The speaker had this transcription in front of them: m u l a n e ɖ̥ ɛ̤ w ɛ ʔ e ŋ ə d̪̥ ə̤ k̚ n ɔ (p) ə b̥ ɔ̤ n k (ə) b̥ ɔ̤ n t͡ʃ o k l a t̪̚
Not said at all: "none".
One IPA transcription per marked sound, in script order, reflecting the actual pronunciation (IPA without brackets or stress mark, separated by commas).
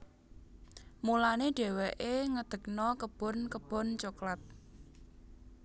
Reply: k, ə